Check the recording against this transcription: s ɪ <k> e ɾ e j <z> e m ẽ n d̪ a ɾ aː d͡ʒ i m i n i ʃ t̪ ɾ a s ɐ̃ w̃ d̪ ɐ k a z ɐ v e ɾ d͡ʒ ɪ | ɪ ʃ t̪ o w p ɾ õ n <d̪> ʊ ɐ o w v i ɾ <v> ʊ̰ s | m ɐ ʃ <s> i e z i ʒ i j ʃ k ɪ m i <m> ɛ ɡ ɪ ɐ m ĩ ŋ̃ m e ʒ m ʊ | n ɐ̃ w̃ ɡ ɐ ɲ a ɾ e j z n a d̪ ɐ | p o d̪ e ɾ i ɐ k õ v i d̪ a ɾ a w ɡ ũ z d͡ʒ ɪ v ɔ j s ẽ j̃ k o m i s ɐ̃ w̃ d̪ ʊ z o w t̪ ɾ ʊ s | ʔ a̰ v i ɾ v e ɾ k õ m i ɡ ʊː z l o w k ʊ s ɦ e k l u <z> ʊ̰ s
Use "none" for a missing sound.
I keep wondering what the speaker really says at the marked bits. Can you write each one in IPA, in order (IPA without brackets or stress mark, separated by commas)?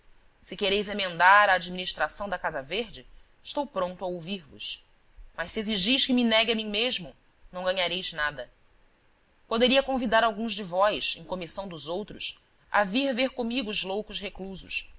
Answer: k, z, t̪, v, s, n, z